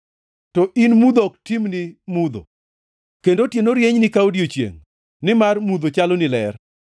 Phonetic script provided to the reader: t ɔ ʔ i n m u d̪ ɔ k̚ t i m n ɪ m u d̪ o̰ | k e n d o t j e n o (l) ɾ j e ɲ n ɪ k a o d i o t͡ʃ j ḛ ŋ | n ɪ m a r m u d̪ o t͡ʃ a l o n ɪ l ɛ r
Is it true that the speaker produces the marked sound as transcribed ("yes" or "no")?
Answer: no